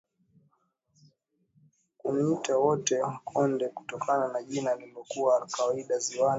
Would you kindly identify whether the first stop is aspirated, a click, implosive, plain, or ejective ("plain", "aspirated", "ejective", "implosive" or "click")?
plain